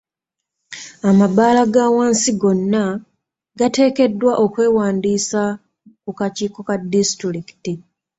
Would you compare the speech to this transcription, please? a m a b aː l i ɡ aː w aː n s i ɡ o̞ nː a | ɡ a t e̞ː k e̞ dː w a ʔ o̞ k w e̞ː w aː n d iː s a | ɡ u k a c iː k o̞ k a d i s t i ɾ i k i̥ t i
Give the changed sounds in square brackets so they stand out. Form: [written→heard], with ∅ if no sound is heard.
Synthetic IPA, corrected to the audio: a m a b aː l [i→a] ɡ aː w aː n s i ɡ o̞ nː a | ɡ a t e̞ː k e̞ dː w a ʔ o̞ k w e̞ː w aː n d iː s a | [ɡ→k] u k a c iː k o̞ k a d i s t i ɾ i k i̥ t i

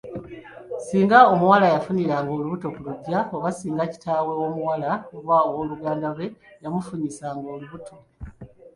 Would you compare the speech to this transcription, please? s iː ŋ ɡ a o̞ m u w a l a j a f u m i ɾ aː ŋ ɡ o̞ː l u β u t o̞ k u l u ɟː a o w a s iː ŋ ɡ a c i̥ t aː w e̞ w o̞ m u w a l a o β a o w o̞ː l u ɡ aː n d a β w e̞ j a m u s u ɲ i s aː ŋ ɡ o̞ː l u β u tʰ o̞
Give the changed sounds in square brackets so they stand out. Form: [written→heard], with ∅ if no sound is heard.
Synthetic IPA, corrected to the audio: s iː ŋ ɡ a o̞ m u w a l a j a f u [m→n] i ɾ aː ŋ ɡ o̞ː l u β u t o̞ k u l u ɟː a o [w→β] a s iː ŋ ɡ a c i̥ t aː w e̞ w o̞ m u w a l a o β a o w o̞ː l u ɡ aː n d a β w e̞ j a m u [s→f] u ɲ i s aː ŋ ɡ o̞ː l u β u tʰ o̞

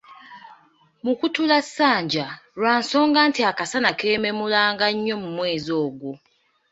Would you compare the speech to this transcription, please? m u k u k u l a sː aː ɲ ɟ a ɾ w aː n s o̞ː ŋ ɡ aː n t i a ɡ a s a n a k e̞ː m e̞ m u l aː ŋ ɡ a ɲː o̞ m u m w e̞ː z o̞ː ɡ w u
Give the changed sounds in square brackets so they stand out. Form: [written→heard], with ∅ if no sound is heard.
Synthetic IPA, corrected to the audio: m u k u [k→t] u l a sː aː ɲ ɟ a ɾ w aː n s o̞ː ŋ ɡ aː n t i a [ɡ→k] a s a n a k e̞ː m e̞ m u l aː ŋ ɡ a ɲː o̞ m u m w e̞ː z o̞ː ɡ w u

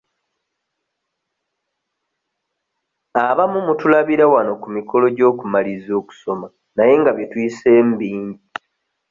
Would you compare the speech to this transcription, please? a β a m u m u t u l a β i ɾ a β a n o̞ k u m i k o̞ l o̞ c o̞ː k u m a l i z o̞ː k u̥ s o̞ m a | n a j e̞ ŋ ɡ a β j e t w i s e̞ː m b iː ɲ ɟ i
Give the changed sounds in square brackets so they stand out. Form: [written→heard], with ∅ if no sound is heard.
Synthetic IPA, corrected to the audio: a β a m u m u t u l a β i ɾ a [β→w] a n o̞ k u m i k o̞ l o̞ [c→ɟ] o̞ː k u m a l i z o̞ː k u̥ s o̞ m a | n a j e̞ ŋ ɡ a β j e t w i s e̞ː m b iː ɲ ɟ i

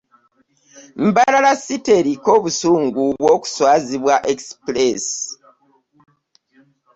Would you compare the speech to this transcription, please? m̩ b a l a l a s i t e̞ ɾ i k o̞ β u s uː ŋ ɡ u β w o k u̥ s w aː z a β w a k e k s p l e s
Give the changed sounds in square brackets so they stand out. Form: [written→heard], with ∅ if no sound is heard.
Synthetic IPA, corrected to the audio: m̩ b a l a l a s i t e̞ ɾ i k o̞ β u s uː ŋ ɡ u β w o k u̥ s w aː z [a→i] β w a [k→ʔ] e k s p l e s

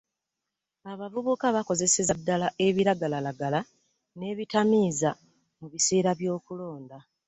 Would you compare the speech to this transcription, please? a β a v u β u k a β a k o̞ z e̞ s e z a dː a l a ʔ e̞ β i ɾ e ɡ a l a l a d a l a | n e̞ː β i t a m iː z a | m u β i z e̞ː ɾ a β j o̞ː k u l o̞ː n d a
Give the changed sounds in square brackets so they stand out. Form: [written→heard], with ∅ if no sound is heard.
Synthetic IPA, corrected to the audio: a β a v u β u k a β a k o̞ z e̞ s e z a dː a l a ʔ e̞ β i ɾ [e→a] ɡ a l a l a [d→ɡ] a l a | n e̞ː β i t a m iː z a | m u β i [z→s] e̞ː ɾ a β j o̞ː k u l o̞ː n d a

